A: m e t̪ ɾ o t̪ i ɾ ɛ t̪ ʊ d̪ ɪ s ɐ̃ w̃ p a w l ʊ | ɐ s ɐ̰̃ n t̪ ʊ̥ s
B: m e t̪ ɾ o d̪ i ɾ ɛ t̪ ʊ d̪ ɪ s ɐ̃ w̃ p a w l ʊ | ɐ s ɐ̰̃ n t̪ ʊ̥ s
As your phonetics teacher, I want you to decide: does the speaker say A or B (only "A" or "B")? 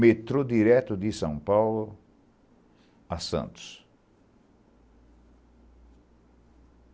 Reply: B